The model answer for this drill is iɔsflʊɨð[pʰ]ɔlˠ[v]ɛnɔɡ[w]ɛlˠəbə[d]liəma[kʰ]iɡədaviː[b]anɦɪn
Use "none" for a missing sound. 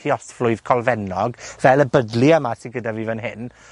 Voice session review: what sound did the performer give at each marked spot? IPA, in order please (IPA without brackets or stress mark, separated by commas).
kʰ, v, v, d, tʰ, v